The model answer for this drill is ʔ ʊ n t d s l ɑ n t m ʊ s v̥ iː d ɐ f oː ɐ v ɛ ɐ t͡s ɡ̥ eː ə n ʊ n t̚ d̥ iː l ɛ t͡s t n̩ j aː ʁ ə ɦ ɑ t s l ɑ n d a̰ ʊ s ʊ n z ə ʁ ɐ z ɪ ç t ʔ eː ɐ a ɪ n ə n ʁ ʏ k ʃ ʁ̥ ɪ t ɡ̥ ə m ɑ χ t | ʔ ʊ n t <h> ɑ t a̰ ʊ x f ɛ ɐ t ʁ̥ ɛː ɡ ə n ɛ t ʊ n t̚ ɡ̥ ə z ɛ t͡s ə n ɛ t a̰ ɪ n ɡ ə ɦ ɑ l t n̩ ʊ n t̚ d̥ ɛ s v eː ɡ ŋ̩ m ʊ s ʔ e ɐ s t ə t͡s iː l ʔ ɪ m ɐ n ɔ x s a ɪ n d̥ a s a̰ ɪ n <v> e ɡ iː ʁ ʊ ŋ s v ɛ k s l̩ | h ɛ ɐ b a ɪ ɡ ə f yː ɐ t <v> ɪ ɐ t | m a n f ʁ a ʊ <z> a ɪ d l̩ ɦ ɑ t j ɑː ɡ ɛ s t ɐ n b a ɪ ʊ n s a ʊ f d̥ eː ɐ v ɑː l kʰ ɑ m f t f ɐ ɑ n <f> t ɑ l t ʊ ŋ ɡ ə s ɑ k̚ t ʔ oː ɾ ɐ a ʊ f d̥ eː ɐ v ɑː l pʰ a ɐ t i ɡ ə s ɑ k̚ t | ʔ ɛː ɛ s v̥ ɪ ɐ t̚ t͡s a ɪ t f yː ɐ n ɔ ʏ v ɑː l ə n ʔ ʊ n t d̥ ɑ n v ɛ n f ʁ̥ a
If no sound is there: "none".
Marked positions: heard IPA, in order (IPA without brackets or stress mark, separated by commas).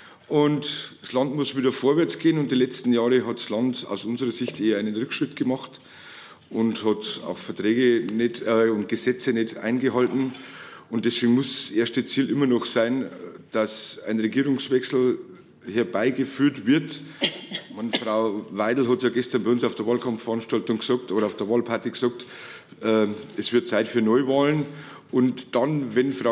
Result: h, ʁ, v, v, ʃ